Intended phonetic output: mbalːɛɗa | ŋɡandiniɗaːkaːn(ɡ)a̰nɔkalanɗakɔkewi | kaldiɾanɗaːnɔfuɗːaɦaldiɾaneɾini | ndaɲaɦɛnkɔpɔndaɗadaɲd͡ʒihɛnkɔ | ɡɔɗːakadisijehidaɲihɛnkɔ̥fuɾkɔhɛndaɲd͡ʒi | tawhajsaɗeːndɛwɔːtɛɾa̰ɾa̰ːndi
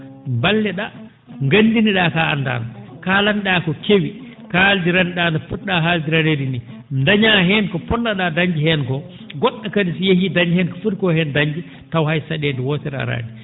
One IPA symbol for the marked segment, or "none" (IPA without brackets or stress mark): d